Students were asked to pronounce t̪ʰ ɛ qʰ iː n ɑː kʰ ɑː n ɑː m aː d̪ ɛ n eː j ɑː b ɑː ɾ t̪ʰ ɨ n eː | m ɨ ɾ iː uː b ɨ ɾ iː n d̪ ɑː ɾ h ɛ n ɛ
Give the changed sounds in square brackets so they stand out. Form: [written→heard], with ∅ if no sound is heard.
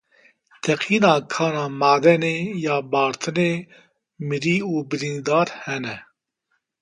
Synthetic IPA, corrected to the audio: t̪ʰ ɛ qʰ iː n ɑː kʰ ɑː n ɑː m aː d̪ ɛ n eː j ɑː b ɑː ɾ t̪ʰ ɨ n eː | m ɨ ɾ iː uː b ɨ ɾ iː n d̪ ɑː ɾ h ɛ n ɛ

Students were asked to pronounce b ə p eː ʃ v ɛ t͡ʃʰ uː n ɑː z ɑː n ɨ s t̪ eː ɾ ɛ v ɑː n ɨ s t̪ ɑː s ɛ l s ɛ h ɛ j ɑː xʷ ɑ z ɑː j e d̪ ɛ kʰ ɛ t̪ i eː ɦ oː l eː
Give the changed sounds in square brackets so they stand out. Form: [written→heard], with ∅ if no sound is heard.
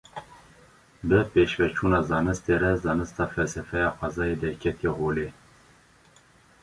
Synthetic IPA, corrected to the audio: b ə p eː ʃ v ɛ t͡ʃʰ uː n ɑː z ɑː n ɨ s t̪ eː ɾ ɛ [v→z] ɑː n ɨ s t̪ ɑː [s→f] ɛ l s ɛ [h→f] ɛ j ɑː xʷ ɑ z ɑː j e d̪ ɛ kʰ ɛ t̪ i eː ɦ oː l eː

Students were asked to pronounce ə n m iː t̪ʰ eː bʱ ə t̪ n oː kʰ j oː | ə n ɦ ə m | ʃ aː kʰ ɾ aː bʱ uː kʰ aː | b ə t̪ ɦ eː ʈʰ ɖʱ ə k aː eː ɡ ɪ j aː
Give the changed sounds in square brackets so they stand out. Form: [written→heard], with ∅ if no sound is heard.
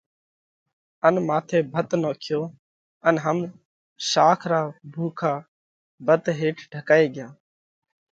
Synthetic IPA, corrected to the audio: ə n m [iː→aː] t̪ʰ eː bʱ ə t̪ n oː kʰ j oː | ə n ɦ ə m | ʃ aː kʰ ɾ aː bʱ uː kʰ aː | b ə t̪ ɦ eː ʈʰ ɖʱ ə k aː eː ɡ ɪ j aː

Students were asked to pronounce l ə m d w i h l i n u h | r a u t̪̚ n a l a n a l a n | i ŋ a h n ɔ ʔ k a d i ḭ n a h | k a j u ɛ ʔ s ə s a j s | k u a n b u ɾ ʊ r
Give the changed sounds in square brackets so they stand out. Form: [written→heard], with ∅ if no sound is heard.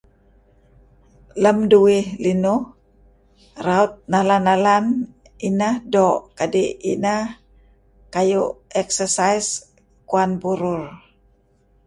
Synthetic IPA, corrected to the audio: l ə m d [w→u] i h l i n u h | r a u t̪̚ n a l a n a l a n | i [ŋ→n] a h [n→d] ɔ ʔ k a d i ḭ n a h | k a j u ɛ [ʔ→k] s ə s a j s | k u a n b u ɾ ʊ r

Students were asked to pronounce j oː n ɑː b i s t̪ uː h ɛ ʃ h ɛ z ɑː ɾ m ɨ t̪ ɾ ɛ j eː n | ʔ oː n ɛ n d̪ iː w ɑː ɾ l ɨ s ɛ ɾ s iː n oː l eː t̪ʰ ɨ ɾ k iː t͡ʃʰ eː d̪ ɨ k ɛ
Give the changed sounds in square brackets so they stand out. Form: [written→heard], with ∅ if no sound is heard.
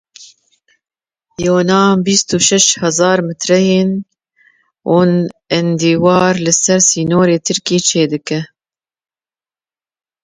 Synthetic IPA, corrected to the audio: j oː n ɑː b i s t̪ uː [h→ʃ] ɛ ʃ h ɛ z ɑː ɾ m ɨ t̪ ɾ ɛ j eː n | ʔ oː n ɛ n d̪ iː w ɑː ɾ l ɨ s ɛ ɾ s iː n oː [l→ɾ] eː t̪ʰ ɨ ɾ k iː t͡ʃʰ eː d̪ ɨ k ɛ

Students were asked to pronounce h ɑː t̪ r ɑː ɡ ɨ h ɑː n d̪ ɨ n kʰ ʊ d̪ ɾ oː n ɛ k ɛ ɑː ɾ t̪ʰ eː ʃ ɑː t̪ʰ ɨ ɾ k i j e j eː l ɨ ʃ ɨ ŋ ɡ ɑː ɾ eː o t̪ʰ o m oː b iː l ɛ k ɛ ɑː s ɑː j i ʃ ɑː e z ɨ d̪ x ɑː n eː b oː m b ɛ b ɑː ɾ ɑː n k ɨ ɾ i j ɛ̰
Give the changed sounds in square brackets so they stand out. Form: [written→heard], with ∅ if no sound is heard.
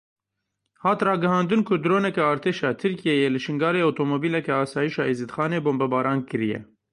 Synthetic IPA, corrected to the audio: h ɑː t̪ r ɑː ɡ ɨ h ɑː n d̪ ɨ n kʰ ʊ d̪ ɾ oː n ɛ k ɛ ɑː ɾ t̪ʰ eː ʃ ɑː t̪ʰ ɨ ɾ k i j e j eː l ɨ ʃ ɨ ŋ ɡ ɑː ɾ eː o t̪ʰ o m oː b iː l ɛ k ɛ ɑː s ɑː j i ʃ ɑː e z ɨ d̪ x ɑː n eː b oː m b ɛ b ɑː ɾ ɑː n k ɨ ɾ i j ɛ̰

